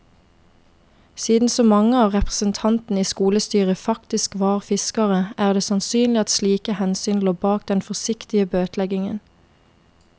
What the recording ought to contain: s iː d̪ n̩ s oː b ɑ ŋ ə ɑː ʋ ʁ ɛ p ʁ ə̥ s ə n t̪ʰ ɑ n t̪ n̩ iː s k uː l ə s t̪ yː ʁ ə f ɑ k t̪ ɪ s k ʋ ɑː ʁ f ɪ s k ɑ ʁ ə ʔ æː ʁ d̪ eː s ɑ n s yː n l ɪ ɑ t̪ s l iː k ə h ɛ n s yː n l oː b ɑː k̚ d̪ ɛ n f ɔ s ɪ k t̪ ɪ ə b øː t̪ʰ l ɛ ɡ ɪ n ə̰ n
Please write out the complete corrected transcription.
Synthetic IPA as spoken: s iː d̪ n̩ s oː m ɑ ŋ ə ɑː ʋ ʁ ɛ p ʁ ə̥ s ə n t̪ʰ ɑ n t̪ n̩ iː s k uː l ə s t̪ yː ʁ ə f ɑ k t̪ ɪ s k ʋ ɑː ʁ f ɪ s k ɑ ʁ ə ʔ æː ʁ d̪ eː s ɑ n s yː n l ɪ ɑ t̪ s l iː k ə h ɛ n s yː n l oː b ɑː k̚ d̪ ɛ n f ɔ s ɪ k t̪ ɪ ə b øː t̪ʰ l ɛ ɡ ɪ ŋ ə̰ n